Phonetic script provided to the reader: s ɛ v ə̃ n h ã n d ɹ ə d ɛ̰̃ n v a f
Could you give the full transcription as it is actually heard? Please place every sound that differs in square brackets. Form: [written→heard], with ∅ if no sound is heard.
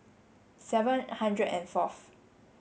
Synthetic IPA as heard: s ɛ v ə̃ n h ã n d ɹ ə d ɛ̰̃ n [v→f] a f